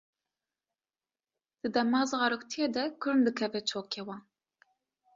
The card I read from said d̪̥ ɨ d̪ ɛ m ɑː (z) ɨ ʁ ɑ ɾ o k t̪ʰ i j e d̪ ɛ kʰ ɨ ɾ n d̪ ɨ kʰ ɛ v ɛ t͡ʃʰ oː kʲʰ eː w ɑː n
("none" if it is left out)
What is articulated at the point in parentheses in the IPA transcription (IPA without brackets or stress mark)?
z